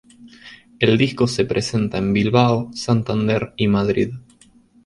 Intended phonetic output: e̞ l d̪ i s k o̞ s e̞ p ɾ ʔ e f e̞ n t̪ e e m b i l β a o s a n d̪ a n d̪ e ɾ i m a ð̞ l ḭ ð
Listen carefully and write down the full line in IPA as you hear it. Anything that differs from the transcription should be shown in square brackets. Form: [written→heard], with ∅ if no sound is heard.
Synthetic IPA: e̞ l d̪ i s k o̞ s e̞ p ɾ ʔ e [f→s] e̞ n t̪ [e→a] e m b i l β a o s a n [d̪→t̪] a n d̪ e ɾ i m a ð̞ [l→ɾ] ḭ ð